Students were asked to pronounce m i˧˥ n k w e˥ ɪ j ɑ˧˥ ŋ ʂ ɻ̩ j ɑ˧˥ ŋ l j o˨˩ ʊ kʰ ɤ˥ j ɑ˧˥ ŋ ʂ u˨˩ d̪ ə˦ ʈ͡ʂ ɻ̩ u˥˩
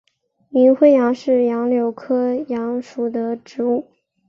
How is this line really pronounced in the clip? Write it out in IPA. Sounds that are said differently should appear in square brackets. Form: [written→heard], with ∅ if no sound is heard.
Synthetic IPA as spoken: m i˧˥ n [k→x] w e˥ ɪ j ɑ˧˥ ŋ ʂ ɻ̩ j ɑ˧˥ ŋ l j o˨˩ ʊ kʰ ɤ˥ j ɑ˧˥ ŋ ʂ u˨˩ d̪ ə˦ ʈ͡ʂ ɻ̩ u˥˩